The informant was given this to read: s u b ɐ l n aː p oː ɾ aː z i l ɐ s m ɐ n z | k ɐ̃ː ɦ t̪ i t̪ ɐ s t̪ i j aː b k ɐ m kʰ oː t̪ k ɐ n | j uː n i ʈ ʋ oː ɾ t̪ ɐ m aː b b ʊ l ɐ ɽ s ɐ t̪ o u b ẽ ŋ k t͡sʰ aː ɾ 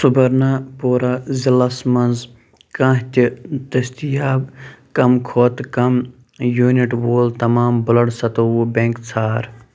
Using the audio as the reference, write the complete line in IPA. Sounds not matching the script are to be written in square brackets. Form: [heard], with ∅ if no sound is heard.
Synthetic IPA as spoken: s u b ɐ [ɾ] n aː p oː ɾ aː z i l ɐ s m ɐ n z | k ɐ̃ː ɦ t̪ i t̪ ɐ s t̪ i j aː b k ɐ m kʰ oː t̪ k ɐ [m] | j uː n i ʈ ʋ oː [l] t̪ ɐ m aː [m] b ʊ l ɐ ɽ s ɐ t̪ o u b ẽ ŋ k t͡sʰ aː ɾ